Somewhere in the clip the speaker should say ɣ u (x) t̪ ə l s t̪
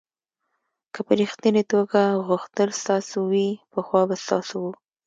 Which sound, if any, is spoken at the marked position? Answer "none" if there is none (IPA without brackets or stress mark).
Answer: x